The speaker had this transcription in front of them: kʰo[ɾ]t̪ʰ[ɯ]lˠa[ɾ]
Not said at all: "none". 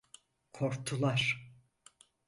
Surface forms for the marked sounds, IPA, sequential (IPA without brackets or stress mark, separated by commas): ɾ, u, ɾ